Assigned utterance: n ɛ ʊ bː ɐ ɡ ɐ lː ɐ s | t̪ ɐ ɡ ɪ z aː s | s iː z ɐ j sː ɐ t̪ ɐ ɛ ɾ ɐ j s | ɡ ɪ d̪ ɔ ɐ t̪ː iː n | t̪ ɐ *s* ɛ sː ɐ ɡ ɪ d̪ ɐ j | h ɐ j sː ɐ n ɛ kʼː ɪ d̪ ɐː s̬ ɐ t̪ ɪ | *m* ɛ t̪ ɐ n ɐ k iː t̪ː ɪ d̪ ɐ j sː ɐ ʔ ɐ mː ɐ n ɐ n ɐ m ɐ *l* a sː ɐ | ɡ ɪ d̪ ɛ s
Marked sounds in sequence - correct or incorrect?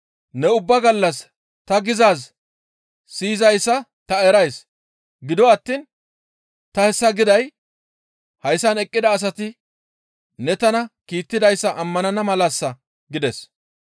incorrect: h, incorrect: n, correct

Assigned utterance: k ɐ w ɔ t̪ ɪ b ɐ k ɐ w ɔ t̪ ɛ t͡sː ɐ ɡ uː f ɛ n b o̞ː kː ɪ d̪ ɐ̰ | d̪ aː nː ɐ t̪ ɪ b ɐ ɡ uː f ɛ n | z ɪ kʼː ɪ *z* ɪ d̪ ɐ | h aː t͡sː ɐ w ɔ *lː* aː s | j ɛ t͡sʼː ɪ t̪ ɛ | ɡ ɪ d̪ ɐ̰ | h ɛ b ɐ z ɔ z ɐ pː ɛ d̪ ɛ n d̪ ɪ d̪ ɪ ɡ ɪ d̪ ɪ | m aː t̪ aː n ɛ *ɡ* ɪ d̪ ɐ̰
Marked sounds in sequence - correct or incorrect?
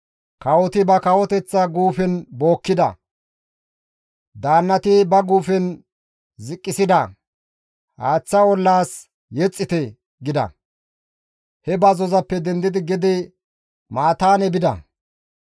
incorrect: s, correct, incorrect: b

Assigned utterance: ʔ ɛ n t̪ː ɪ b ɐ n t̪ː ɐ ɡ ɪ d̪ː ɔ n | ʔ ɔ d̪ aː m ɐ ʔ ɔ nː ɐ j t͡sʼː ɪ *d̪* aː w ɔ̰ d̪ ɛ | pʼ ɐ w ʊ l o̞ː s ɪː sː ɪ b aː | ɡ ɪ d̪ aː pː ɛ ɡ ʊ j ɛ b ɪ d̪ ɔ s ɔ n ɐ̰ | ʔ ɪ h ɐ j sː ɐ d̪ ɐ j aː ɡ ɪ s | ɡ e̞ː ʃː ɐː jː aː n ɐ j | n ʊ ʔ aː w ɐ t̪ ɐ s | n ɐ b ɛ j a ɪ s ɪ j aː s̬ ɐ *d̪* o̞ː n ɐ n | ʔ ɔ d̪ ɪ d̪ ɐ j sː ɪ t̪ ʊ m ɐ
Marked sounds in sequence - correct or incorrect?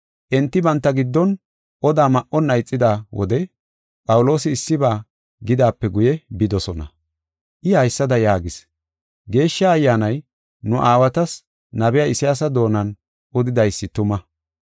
correct, correct

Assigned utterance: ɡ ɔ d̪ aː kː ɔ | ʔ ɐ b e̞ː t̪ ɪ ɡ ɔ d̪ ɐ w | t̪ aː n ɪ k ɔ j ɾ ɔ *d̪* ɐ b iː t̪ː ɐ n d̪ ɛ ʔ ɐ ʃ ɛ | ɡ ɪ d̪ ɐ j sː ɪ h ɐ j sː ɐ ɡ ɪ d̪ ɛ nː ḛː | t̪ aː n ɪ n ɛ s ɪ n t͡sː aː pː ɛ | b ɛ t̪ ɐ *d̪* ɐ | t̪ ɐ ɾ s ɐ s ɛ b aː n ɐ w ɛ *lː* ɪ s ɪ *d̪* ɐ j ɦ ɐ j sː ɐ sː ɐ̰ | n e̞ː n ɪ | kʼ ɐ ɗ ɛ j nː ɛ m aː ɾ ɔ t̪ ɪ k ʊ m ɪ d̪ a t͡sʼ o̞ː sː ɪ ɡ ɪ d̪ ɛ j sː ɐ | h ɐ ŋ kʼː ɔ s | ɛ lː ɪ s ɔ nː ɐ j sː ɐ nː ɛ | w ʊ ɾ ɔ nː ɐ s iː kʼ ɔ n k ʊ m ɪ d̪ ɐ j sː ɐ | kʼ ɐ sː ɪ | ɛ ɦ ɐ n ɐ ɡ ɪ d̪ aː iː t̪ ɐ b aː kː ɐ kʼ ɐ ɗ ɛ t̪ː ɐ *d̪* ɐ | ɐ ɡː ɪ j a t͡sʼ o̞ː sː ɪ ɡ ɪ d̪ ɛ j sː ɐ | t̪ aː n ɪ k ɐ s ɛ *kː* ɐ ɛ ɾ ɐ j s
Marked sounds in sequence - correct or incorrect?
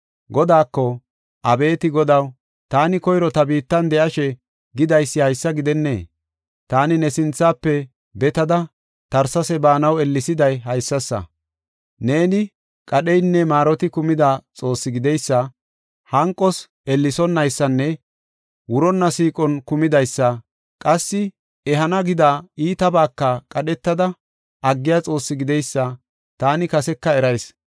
incorrect: t̪, correct, correct, correct, correct, correct

